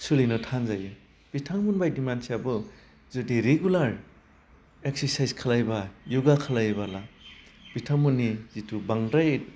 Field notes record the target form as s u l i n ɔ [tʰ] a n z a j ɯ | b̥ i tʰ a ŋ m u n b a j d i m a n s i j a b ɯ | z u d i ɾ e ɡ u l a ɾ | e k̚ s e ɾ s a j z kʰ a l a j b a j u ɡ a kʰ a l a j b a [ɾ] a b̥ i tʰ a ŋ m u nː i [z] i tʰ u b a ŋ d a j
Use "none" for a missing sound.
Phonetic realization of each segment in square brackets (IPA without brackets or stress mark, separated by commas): tʰ, l, z